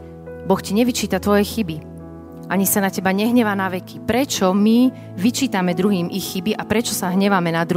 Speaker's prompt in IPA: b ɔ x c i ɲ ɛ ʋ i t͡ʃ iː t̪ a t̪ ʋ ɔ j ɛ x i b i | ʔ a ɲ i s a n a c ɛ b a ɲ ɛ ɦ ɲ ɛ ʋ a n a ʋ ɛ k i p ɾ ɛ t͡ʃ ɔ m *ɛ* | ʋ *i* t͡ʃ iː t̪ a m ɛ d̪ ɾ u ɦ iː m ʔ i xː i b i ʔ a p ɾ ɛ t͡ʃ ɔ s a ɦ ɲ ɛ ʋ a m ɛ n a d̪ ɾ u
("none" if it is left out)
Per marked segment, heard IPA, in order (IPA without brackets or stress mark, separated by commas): i, i